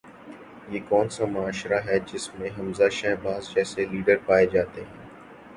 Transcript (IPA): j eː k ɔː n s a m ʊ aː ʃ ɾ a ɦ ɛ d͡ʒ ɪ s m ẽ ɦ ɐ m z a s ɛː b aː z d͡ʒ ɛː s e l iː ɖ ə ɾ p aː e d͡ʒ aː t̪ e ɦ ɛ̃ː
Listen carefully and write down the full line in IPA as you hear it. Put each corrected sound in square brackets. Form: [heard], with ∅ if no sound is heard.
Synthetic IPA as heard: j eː k ɔː n s a m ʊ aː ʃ ɾ a ɦ ɛ d͡ʒ ɪ s m ẽ ɦ ɐ m z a [ʃ] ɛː b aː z d͡ʒ ɛː s e l iː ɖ ə ɾ p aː e d͡ʒ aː t̪ e ɦ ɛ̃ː